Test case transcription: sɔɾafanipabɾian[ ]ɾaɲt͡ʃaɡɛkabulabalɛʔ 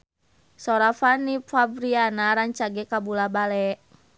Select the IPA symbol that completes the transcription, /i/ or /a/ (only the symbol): a